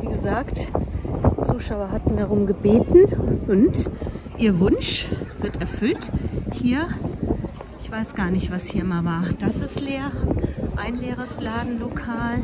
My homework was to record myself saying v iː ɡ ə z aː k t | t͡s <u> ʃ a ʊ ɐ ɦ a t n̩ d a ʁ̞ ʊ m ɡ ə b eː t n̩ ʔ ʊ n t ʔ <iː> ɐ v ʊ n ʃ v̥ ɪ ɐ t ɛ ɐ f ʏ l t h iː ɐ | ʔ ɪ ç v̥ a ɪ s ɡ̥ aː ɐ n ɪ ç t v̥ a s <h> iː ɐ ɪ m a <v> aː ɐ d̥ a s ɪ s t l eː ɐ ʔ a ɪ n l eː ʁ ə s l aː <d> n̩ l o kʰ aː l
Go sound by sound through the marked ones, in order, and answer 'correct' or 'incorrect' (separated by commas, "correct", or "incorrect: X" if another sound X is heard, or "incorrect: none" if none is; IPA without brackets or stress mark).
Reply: incorrect: uː, correct, correct, correct, correct